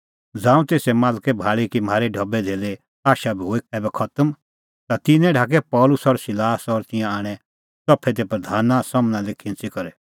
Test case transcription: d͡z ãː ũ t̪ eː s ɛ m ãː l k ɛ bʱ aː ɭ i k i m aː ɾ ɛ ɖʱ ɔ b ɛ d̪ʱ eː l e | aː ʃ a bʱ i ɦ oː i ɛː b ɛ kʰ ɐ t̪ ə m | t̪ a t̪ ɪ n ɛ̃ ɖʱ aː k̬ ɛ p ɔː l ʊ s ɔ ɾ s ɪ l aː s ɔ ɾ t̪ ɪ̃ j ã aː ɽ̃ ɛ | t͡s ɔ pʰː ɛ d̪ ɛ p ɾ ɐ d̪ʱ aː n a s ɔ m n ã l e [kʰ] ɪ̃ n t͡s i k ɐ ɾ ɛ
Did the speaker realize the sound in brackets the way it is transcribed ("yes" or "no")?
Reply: yes